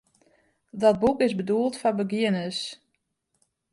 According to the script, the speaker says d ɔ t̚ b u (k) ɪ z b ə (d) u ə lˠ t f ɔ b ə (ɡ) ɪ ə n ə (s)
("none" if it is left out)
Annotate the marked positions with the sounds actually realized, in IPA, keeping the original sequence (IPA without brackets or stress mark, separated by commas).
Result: k, d, ɡ, s